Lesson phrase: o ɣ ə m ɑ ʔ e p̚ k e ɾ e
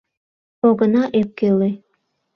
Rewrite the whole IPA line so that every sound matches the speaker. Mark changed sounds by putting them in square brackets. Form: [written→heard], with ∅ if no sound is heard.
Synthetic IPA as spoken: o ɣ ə [m→n] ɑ ʔ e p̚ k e [ɾ→l] e